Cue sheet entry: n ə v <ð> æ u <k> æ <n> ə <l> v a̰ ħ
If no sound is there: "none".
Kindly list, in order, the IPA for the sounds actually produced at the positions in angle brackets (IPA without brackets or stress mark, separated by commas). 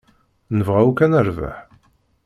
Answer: ʁ, k, n, ɾ